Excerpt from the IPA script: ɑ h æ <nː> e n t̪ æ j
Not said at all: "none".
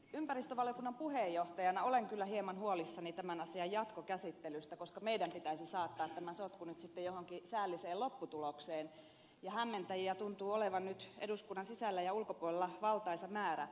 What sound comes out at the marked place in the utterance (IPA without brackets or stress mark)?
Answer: mː